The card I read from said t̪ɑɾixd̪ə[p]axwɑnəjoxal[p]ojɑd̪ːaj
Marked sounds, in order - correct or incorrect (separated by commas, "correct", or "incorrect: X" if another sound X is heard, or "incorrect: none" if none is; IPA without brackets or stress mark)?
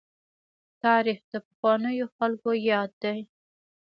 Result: correct, incorrect: k